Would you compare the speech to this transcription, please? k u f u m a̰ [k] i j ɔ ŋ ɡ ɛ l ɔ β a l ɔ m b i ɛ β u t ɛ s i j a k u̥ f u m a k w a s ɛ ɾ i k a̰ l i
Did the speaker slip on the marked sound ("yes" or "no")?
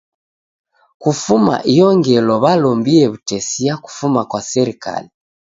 yes